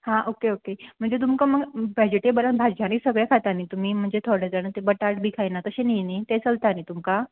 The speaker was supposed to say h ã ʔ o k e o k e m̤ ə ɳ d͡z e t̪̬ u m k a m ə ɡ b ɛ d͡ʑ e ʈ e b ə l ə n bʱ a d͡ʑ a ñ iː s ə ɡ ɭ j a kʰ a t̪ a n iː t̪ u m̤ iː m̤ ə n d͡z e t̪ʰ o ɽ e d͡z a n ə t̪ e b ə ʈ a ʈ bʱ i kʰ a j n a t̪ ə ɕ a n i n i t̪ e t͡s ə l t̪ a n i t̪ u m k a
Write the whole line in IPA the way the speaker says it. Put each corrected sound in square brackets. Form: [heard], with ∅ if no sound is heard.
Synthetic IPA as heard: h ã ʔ o k e o k e m̤ ə ɳ d͡z e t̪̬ u m k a m ə ɡ b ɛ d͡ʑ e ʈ e b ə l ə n bʱ a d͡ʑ a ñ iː s ə ɡ ɭ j a kʰ a t̪ a n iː t̪ u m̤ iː m̤ ə [ɳ] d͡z e t̪ʰ o ɽ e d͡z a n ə t̪ e b ə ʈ a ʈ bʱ i kʰ a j n a t̪ ə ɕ [e] n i n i t̪ e t͡s ə l t̪ a n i t̪ u m k a